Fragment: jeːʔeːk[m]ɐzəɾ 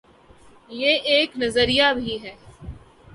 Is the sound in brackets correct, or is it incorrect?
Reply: incorrect